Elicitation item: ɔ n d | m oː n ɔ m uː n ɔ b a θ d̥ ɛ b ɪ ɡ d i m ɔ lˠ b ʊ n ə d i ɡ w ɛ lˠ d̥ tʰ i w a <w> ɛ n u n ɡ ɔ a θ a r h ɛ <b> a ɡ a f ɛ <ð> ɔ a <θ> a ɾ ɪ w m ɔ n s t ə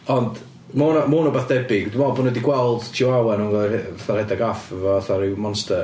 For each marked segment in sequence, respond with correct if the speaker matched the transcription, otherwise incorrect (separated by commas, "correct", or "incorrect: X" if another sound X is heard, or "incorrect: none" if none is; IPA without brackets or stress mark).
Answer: correct, incorrect: d, incorrect: v, correct